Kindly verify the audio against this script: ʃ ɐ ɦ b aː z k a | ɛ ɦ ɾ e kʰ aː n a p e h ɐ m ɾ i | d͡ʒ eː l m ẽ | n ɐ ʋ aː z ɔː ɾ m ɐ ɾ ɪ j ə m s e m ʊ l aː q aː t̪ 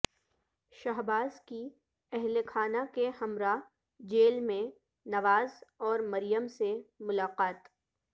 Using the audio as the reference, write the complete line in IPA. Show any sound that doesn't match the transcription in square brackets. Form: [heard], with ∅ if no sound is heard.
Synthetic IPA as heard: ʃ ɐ ɦ b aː z k [i] | ɛ ɦ [l] e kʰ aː n a [k] e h ɐ m ɾ [a] | d͡ʒ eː l m ẽ | n ɐ ʋ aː z ɔː ɾ m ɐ ɾ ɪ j ə m s e m ʊ l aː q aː t̪

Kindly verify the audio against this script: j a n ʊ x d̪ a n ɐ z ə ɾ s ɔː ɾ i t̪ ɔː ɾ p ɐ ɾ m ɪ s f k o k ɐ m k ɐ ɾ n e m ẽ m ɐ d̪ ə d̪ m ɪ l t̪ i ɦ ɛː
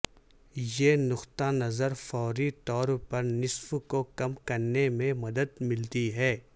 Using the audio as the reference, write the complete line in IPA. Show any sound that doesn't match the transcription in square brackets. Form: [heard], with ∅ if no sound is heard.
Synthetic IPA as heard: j [e] n ʊ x [t̪] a n ɐ z ə ɾ [f] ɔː ɾ i t̪ ɔː ɾ p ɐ ɾ [n] ɪ s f k o k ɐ m k ɐ ɾ n e m ẽ m ɐ d̪ ə d̪ m ɪ l t̪ i ɦ ɛː

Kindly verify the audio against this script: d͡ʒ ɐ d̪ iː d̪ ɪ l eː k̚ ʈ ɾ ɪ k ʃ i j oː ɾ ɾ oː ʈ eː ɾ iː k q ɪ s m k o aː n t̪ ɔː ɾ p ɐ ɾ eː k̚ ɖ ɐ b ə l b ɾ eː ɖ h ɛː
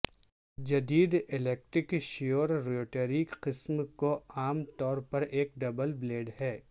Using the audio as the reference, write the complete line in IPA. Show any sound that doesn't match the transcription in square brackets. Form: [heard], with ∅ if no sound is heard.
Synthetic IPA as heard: d͡ʒ ɐ d̪ iː d̪ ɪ l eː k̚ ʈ ɾ ɪ k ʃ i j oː ɾ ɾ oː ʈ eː ɾ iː k q ɪ s m k o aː [m] t̪ ɔː ɾ p ɐ ɾ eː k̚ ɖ ɐ b ə l b [l] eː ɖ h ɛː

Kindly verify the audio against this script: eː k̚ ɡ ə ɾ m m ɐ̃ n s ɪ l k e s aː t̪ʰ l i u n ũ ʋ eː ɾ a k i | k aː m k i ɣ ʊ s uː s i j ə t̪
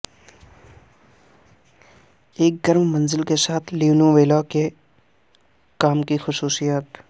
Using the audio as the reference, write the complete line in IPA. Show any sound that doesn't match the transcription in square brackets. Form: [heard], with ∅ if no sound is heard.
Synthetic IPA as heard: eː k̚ ɡ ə ɾ m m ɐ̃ n [z] ɪ l k e s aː t̪ʰ l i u n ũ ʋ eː [l] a k [e] | k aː m k i [x] ʊ s uː s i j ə t̪

